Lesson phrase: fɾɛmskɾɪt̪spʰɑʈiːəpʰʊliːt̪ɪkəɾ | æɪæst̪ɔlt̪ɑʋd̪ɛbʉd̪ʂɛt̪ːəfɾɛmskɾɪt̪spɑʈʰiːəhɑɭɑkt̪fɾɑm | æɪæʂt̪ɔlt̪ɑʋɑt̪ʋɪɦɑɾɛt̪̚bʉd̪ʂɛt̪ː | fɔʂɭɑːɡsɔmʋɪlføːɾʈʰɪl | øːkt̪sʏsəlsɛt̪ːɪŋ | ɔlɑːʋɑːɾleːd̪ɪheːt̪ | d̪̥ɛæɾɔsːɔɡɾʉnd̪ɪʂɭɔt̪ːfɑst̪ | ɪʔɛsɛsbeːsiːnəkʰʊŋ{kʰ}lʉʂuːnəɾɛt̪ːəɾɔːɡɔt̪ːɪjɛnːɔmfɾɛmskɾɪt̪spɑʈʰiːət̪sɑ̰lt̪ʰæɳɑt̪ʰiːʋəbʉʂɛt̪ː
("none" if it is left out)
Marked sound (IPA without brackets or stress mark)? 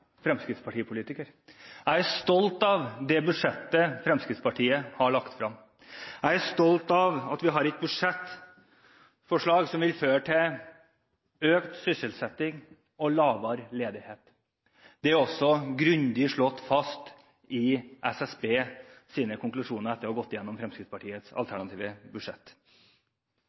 k